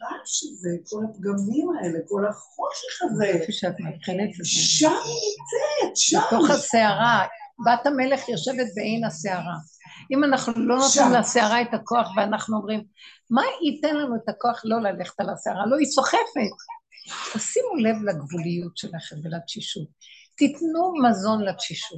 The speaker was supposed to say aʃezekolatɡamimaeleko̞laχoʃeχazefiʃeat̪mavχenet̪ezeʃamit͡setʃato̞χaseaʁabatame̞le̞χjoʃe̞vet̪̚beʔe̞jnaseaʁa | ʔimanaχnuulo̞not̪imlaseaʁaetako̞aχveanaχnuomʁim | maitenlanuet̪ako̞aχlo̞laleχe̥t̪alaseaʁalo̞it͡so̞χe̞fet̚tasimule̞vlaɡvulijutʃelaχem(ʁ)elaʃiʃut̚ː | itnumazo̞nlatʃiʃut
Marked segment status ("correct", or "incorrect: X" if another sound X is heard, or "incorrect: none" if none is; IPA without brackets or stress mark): incorrect: v